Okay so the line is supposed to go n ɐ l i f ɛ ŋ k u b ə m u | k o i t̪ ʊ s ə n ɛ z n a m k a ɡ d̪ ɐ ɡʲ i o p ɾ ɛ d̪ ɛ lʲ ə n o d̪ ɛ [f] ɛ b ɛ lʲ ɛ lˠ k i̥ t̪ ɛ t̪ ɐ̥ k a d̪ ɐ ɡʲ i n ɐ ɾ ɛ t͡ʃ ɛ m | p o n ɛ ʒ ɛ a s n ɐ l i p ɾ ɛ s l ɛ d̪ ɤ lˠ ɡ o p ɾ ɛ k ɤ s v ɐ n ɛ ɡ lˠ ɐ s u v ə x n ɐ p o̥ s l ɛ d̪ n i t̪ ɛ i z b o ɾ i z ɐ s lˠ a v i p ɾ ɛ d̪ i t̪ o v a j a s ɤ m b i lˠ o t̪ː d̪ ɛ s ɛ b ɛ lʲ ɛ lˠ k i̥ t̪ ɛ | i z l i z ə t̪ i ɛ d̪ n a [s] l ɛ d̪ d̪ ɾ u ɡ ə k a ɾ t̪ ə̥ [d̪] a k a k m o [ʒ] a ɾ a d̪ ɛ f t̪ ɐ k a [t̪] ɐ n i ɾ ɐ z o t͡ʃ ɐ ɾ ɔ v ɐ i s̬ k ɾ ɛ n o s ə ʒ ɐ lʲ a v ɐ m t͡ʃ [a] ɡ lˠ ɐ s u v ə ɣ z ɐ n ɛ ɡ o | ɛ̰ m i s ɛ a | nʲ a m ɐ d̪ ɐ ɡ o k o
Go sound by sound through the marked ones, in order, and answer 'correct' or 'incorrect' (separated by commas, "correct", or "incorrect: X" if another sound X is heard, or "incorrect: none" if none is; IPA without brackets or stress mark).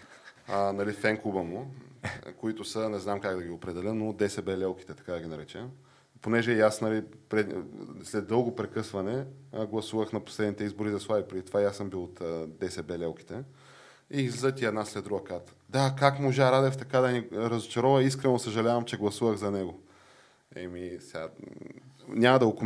incorrect: s, correct, correct, correct, incorrect: d̪, incorrect: ɛ